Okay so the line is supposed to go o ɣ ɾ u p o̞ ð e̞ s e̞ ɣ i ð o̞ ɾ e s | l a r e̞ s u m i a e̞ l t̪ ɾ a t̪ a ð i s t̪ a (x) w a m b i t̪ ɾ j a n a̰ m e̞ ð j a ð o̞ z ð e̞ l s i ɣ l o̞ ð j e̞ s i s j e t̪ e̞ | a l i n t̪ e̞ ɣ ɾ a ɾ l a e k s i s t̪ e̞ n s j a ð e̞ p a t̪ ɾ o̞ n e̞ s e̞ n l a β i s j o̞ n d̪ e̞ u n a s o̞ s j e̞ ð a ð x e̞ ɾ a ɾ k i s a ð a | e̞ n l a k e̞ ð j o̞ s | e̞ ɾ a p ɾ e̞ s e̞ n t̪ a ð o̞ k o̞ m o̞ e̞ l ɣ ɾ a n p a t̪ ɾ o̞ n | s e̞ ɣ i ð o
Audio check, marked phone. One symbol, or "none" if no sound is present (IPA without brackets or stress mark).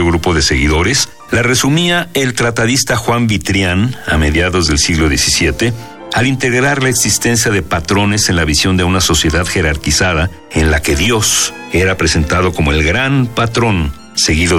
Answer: x